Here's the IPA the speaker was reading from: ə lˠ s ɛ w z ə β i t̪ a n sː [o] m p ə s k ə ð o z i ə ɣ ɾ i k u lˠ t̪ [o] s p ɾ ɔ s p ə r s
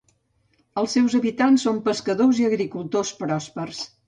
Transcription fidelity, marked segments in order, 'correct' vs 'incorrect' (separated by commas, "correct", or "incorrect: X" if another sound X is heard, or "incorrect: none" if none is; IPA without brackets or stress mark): correct, correct